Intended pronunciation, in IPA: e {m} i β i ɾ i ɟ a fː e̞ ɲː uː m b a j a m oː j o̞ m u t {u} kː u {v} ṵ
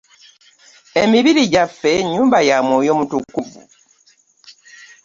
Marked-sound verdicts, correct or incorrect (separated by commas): correct, correct, correct